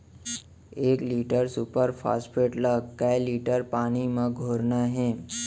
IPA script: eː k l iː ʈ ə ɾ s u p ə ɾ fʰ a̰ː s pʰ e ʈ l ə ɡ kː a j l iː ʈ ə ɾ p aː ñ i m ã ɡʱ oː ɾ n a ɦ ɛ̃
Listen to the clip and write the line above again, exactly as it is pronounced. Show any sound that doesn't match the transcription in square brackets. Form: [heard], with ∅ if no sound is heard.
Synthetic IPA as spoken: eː k l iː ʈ ə ɾ s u p ə ɾ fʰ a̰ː s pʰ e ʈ l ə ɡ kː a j l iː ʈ ə ɾ p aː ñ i m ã ɡʱ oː ɾ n a ɦ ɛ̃